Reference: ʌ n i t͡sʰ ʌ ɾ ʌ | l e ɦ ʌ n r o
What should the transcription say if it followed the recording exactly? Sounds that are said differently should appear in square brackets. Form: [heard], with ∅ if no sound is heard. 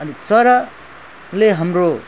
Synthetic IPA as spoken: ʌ n i [t͡s] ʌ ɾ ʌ | l e ɦ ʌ [m] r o